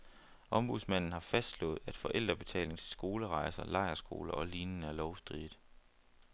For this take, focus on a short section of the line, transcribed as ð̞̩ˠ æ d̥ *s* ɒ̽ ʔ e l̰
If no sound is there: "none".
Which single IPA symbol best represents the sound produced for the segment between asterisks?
f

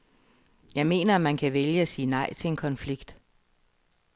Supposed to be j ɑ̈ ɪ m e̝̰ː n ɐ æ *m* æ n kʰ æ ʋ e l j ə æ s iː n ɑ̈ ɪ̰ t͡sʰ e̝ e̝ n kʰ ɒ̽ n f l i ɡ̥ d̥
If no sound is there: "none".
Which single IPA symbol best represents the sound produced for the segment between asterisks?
m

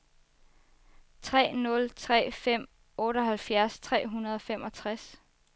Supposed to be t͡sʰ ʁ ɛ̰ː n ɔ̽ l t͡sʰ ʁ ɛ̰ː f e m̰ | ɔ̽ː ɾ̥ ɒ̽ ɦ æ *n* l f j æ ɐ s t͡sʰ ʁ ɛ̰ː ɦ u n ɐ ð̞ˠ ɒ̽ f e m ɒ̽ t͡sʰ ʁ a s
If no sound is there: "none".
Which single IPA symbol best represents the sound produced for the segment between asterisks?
none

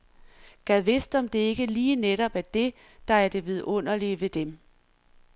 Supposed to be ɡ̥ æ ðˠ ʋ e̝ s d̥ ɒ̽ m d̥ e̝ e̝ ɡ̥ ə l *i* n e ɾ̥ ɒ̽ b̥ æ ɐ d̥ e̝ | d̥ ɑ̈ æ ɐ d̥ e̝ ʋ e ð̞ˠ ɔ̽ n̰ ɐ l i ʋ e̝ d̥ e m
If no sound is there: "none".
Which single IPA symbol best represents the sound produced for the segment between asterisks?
iː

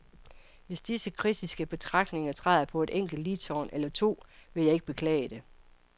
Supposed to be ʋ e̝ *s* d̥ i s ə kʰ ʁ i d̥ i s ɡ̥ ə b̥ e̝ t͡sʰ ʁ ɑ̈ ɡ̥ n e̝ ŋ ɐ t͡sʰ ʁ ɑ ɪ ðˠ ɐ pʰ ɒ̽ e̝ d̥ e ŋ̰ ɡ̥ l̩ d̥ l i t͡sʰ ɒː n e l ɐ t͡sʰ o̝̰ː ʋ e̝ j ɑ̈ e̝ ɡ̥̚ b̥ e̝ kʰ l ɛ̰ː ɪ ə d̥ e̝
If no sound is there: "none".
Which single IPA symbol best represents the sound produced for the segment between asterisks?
s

